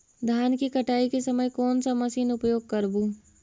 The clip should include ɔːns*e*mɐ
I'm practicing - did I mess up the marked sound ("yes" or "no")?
yes